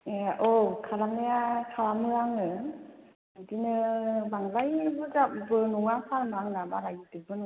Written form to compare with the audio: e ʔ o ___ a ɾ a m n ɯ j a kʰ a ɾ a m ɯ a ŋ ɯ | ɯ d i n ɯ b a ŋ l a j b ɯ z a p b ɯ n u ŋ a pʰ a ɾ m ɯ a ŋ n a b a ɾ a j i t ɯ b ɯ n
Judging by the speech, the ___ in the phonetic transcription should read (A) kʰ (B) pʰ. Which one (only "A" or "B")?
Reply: A